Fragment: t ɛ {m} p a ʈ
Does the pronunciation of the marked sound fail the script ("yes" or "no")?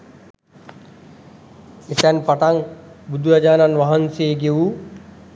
yes